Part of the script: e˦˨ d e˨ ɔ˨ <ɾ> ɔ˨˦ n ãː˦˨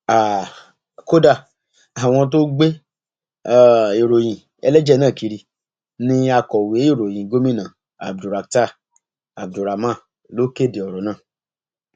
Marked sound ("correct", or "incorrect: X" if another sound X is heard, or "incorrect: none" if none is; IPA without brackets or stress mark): correct